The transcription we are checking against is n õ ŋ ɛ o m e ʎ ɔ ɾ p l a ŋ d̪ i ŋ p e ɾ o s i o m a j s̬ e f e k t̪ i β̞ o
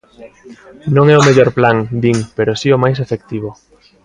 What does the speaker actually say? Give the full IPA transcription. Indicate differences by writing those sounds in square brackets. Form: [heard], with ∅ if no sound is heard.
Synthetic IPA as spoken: n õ ŋ ɛ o m e ʎ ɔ ɾ p l a ŋ d̪ i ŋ p e ɾ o s i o m a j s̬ e f e k t̪ i β̞ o